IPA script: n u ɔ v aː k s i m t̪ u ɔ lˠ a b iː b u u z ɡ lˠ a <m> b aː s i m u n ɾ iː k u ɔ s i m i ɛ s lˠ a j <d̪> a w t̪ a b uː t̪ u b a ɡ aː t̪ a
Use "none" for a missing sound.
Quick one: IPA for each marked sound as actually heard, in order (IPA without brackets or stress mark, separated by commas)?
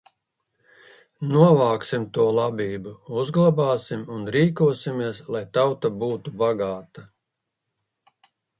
none, t̪